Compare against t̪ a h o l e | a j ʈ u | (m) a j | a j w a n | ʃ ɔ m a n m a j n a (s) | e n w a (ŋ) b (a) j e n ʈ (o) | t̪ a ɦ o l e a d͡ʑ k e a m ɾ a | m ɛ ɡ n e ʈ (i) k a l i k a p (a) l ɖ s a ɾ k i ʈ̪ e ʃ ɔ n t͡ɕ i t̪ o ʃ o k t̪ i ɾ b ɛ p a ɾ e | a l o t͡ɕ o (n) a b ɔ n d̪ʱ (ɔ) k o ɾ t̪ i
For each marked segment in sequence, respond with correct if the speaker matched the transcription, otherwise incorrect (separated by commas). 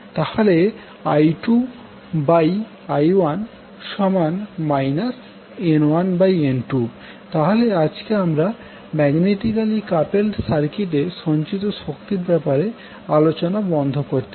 incorrect, correct, incorrect, correct, incorrect, correct, incorrect, correct, incorrect